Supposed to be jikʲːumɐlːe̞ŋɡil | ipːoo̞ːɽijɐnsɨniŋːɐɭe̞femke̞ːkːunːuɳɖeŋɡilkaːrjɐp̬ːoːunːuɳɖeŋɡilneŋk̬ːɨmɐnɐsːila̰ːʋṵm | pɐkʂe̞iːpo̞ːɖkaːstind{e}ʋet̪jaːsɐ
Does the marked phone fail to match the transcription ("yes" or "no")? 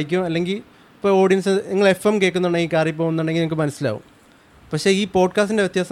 no